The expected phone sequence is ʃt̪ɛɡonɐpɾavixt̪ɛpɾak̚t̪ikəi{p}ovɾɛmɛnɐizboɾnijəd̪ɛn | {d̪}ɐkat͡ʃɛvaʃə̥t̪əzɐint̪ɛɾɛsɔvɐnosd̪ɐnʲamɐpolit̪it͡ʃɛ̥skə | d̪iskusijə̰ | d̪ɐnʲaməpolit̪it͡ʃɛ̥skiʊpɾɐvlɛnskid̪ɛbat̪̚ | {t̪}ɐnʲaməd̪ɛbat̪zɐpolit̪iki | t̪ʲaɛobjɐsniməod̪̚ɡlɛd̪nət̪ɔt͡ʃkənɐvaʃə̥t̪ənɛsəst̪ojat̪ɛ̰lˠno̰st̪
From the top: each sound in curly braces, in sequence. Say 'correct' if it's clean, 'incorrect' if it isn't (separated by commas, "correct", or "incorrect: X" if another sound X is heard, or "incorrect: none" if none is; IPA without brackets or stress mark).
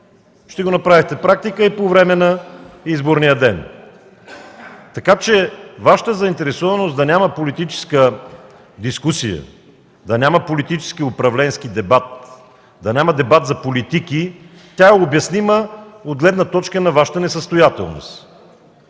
correct, incorrect: t̪, incorrect: d̪